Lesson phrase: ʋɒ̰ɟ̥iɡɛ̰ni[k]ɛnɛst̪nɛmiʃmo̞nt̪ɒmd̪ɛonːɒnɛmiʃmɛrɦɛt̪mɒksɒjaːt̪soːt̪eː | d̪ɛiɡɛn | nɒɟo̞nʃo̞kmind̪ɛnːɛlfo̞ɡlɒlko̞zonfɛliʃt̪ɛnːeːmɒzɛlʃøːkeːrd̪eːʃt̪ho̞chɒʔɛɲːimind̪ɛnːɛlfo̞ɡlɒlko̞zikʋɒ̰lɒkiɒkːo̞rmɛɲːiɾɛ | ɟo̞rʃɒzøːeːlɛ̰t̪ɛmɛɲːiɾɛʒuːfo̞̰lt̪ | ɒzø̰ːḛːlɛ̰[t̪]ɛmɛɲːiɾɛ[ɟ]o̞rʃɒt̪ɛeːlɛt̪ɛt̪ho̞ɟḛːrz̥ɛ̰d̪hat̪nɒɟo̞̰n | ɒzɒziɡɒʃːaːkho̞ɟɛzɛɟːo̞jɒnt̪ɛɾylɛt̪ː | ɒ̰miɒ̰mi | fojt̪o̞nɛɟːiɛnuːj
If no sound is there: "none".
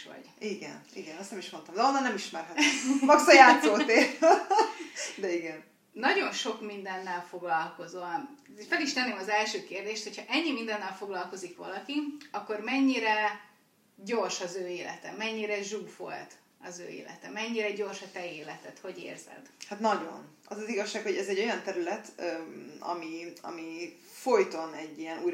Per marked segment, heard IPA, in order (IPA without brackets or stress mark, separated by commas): ɡ, t̪, ɟ